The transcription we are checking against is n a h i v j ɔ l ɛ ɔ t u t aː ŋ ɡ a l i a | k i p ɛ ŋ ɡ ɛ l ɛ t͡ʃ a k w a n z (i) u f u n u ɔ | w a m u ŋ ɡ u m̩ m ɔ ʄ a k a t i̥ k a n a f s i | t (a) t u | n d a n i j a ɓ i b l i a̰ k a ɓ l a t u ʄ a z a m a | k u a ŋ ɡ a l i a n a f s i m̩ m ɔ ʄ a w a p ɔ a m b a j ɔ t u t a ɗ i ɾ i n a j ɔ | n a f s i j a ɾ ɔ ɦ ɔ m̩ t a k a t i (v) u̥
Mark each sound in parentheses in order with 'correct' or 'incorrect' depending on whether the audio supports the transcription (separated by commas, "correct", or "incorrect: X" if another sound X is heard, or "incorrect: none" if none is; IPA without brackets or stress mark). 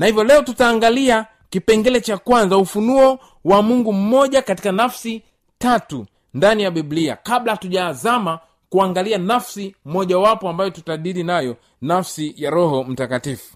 incorrect: a, correct, incorrect: f